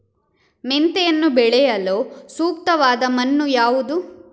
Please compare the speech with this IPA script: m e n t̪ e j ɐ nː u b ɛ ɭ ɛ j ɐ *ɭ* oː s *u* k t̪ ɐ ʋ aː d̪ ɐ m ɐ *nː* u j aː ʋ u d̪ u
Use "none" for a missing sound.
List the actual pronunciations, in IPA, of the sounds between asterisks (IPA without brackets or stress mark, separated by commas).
l, uː, nː